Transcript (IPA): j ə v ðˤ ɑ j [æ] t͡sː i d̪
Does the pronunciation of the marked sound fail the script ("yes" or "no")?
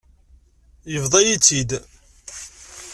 yes